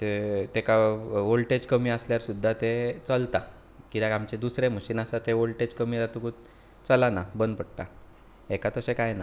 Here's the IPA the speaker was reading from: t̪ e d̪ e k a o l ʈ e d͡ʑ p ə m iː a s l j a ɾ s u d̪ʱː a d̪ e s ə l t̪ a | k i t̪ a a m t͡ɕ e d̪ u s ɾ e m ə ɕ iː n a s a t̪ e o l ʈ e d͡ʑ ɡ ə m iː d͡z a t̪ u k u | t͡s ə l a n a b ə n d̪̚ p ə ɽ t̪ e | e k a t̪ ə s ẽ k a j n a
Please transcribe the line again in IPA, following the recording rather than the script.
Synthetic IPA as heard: t̪ e t̪ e k a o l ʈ e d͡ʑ k ə m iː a s l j a ɾ s u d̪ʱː a t̪ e t͡s ə l t̪ a | k i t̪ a a m t͡ɕ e d̪ u s ɾ e m ə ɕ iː n a s a t̪ e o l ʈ e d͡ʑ k ə m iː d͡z a t̪ u k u | t͡s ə l a n a b ə n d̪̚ p ə ɽ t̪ a | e k a t̪ ə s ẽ k a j n a